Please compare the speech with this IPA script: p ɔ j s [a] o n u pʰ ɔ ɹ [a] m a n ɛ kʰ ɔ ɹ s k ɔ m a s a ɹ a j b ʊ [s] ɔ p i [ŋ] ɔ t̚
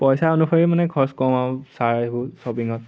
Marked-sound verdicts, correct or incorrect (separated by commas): correct, incorrect, correct, correct